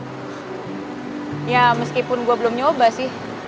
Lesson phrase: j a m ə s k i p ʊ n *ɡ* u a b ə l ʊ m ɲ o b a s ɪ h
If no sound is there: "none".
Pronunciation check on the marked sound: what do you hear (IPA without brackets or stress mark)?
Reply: ɡ